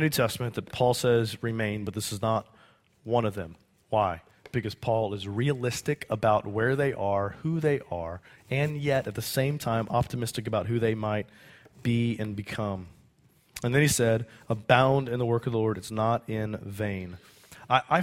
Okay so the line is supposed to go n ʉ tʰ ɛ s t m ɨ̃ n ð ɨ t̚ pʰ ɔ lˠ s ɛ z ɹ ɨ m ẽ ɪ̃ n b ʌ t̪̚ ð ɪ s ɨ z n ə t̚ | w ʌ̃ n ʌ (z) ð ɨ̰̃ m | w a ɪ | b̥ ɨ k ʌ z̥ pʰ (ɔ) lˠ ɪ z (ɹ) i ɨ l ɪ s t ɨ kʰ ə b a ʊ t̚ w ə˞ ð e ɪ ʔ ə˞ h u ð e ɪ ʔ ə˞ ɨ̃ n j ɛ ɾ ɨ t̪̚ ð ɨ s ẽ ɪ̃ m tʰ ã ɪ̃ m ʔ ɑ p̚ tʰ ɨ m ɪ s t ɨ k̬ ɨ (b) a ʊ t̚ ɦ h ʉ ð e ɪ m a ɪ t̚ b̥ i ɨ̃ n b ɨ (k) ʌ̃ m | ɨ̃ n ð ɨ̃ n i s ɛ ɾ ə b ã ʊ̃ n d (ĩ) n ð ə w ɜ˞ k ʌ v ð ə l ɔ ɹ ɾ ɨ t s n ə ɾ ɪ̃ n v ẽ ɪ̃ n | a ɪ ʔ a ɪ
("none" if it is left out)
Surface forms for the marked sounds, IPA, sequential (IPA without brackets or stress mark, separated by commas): v, ɔ, ɹ, b, kʰ, ɨ̃